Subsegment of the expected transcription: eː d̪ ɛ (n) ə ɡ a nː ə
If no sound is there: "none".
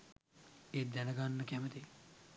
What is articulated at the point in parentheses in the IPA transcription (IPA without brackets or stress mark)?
n